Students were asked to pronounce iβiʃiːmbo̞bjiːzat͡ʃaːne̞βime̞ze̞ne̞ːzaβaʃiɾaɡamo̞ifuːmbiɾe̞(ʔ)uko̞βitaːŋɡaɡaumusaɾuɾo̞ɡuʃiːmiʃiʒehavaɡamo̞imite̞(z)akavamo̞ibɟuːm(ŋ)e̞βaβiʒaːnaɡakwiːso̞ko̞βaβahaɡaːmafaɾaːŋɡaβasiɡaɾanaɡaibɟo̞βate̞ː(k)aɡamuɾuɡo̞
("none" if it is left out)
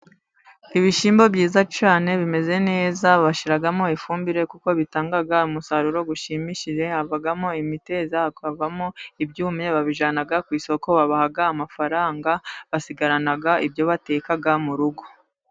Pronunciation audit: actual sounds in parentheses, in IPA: k, z, ɲ, k

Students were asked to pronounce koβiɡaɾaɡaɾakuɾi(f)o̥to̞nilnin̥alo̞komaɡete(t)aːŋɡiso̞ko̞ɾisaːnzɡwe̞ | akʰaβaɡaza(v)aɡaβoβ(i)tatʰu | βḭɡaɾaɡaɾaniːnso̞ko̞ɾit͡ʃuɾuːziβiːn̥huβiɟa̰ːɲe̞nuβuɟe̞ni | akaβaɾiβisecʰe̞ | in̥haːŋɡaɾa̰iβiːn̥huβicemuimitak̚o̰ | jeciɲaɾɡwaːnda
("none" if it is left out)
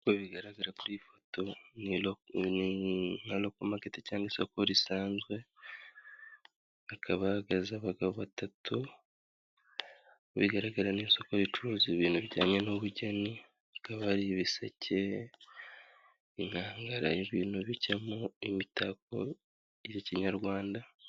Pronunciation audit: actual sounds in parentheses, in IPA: f, c, β, a

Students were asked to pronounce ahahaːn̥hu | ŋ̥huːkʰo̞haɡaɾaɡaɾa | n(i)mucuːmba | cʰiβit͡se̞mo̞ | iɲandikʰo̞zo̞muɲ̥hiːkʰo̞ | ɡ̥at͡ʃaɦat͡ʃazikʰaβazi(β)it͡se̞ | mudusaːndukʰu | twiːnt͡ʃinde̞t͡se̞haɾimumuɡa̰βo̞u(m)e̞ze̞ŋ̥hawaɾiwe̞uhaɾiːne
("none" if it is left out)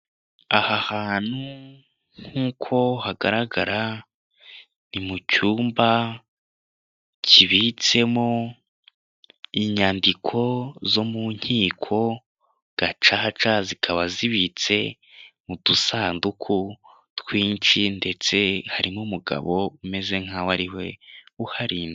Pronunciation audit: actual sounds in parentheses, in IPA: i, β, m

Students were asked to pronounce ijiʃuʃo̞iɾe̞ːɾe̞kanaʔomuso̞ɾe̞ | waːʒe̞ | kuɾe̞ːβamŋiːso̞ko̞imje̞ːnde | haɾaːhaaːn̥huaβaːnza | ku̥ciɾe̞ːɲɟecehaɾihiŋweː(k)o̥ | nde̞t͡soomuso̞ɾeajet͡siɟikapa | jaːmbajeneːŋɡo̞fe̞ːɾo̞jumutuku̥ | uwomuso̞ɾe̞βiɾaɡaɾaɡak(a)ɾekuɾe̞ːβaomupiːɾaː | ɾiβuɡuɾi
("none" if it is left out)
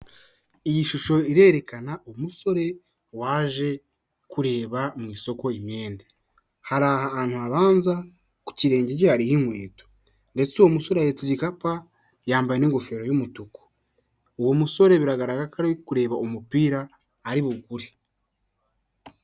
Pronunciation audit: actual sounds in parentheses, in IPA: t, a

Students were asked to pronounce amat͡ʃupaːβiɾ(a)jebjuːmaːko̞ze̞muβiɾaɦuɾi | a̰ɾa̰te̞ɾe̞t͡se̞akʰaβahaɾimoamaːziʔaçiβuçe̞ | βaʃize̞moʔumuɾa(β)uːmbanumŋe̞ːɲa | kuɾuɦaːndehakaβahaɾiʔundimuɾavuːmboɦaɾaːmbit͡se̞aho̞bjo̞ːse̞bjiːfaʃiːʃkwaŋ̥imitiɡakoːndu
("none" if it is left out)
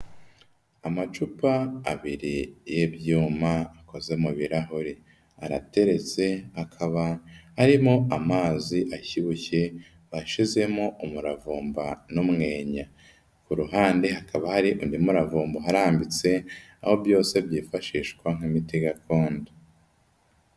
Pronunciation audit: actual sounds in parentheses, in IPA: i, v

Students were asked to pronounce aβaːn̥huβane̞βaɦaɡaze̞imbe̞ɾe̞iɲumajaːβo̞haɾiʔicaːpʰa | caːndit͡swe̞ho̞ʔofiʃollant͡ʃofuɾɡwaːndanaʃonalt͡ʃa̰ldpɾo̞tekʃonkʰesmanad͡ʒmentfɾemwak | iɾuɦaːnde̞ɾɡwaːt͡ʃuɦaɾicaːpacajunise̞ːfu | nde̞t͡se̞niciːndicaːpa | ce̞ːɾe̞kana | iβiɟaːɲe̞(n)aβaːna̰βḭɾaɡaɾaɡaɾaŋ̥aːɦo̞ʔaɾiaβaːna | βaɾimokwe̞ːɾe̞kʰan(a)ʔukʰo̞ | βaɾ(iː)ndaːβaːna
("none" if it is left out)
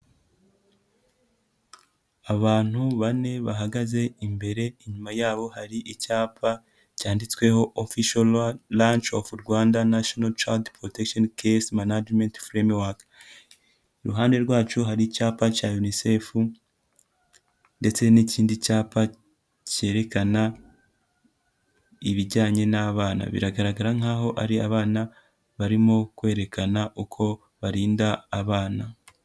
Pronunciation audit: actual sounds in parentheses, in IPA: n, a, iː

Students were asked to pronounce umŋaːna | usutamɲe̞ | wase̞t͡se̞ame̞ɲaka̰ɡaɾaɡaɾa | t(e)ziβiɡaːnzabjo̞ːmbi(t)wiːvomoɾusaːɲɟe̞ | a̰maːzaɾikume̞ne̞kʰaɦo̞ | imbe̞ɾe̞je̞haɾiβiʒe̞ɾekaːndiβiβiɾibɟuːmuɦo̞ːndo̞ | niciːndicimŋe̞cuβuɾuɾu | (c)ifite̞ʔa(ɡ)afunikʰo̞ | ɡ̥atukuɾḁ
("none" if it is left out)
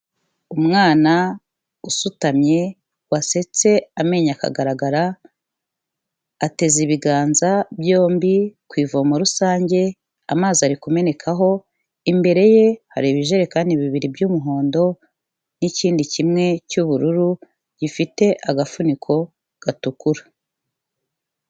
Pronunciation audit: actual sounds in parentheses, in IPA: e, k, ɟ, ɡ

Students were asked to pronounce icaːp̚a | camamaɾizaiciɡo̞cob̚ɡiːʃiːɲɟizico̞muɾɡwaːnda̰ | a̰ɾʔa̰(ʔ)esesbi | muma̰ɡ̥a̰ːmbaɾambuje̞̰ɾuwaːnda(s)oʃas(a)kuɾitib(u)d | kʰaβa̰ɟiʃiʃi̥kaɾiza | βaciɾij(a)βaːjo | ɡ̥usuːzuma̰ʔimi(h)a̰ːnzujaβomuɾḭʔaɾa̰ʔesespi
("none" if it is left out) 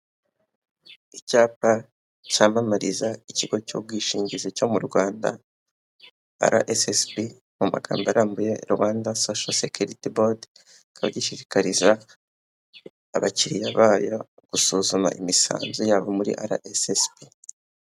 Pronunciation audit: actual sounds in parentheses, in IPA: ʔ, s, e, o, a, s

